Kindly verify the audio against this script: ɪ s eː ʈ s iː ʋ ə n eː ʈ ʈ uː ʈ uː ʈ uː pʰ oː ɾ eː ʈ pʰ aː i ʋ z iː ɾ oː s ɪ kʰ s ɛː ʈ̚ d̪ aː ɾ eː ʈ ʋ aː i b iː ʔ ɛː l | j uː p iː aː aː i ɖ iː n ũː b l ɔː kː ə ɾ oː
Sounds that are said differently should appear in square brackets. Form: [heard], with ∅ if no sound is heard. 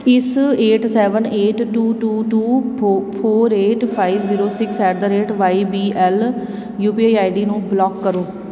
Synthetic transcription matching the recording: ɪ s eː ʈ s [ɛː] ʋ ə n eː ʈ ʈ uː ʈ uː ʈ uː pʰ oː ɾ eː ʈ pʰ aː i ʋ z iː ɾ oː s ɪ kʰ s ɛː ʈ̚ d̪ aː ɾ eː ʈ ʋ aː i b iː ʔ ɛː l | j uː p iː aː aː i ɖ iː n ũː b l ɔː kː ə ɾ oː